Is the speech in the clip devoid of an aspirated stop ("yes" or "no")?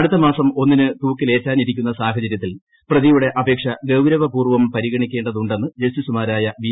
yes